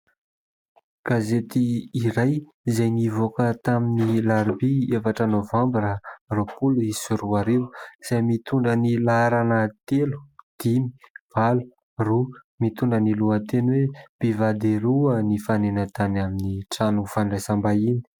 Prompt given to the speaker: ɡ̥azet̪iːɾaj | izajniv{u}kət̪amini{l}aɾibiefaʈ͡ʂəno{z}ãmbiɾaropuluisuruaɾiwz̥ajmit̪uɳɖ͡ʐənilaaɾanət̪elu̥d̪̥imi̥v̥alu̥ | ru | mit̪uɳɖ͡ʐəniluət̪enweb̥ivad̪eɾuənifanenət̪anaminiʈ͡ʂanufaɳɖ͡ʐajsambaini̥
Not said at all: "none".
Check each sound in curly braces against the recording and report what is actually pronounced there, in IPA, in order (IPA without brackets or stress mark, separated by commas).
o, l, v